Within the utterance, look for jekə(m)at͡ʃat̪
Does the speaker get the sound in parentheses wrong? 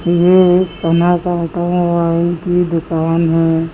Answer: yes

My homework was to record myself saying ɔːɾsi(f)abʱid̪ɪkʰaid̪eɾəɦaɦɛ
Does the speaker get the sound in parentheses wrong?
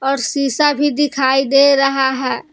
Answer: yes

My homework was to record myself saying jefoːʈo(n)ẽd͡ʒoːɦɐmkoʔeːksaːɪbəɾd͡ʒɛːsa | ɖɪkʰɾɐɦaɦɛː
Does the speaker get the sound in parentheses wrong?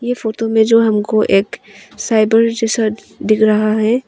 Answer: yes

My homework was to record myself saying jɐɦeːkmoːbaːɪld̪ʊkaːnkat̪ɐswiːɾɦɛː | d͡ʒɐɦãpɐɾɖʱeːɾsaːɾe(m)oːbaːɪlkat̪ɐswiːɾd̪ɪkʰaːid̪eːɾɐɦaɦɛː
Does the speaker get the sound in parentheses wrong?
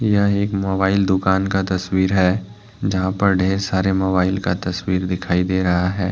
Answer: no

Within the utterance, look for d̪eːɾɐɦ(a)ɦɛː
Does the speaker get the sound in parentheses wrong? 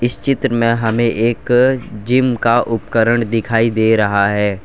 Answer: no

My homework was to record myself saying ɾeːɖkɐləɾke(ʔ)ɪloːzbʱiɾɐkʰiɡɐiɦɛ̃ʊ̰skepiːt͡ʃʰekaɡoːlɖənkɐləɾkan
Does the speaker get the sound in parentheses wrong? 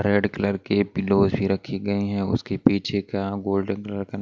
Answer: yes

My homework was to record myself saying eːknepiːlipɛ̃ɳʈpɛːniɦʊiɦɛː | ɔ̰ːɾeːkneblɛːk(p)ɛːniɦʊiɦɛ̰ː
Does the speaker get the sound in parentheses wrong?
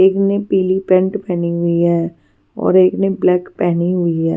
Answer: no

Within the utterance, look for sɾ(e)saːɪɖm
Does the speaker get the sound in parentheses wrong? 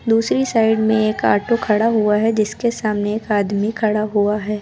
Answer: yes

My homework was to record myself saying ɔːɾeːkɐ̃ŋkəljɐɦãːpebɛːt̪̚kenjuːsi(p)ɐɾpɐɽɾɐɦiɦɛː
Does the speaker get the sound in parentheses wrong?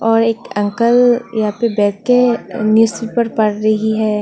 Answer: no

